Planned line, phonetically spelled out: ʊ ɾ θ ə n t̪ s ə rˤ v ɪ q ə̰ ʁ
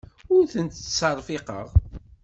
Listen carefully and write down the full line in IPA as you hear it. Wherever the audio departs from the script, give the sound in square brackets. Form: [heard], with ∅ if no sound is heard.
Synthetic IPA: ʊ ɾ θ ə n t̪ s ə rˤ [f] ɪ q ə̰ ʁ